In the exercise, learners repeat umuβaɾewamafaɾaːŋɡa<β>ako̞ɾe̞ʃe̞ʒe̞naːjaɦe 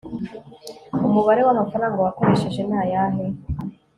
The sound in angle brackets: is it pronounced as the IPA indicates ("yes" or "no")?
no